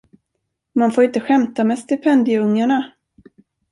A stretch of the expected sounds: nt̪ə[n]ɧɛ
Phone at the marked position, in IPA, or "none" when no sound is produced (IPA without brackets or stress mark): none